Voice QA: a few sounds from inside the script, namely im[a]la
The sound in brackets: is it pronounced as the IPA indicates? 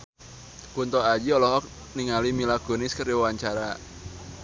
no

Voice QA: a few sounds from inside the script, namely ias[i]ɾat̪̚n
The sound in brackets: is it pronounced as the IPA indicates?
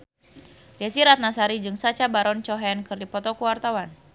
yes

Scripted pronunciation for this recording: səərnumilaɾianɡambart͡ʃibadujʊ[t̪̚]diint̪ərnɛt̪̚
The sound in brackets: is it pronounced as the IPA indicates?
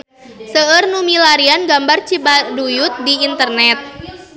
yes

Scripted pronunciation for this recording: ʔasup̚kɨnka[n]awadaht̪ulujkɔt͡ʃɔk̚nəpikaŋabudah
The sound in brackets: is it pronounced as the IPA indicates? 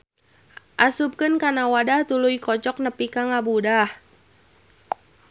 yes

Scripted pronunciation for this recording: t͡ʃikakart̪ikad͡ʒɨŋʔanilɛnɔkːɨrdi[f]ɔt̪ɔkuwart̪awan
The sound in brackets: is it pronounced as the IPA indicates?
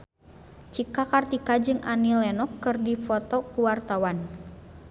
yes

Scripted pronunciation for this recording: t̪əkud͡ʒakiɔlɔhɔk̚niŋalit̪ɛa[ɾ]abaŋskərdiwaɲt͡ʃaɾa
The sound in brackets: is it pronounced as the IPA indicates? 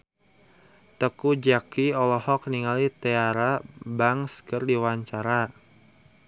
yes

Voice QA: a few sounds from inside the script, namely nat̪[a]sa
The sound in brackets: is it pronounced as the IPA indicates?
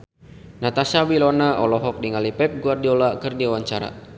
yes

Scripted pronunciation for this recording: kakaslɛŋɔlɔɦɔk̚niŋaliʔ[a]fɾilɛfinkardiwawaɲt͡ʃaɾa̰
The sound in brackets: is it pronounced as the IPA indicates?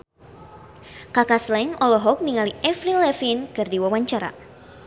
no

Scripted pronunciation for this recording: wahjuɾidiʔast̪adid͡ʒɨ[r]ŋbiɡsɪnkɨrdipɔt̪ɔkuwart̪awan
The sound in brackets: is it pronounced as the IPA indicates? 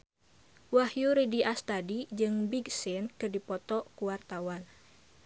no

